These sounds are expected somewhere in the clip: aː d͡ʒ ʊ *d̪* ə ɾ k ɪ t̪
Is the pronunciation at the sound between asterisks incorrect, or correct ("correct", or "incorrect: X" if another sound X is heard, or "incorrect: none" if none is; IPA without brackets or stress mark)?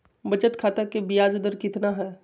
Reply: correct